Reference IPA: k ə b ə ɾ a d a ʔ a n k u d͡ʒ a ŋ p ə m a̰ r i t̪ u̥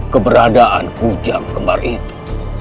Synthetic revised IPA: k ə b ə ɾ a d a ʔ a n k u d͡ʒ a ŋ k ə m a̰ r i t̪ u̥